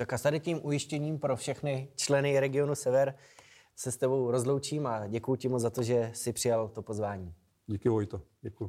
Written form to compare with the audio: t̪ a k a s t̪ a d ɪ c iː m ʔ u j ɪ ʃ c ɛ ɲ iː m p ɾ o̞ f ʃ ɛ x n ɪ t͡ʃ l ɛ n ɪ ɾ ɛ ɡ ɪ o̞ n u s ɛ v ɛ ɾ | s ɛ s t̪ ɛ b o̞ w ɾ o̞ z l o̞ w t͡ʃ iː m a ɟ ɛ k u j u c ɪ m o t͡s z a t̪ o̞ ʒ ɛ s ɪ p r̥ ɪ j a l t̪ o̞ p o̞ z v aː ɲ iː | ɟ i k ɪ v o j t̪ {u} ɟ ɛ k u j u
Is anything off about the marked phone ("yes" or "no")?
yes